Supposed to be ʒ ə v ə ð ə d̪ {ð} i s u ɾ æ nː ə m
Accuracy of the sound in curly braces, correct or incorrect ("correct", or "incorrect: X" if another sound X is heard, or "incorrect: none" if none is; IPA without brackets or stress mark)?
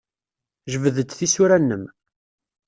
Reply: incorrect: θ